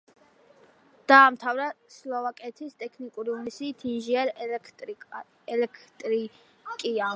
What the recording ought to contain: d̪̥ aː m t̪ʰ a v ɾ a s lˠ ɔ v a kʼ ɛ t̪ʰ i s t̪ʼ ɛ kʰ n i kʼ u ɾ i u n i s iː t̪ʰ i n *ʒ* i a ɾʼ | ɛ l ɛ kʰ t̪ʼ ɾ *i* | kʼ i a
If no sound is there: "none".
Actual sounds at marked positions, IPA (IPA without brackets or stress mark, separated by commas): ʒ, i